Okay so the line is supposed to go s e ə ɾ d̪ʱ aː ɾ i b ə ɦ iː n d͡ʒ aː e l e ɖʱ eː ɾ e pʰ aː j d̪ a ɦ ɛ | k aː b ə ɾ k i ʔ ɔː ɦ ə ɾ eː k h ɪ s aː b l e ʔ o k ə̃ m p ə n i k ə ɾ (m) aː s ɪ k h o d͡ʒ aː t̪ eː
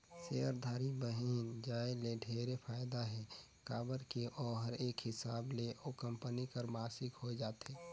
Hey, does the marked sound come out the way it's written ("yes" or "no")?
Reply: yes